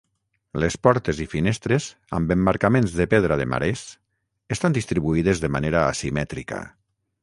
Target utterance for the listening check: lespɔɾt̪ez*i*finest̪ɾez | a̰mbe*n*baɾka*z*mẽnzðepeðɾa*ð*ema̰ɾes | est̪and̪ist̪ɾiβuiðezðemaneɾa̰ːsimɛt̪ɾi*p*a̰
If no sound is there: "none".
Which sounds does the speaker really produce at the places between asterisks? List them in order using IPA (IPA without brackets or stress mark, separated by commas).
i, m, none, ð, k